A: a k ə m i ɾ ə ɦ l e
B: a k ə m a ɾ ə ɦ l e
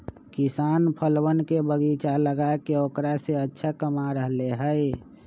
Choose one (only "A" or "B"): B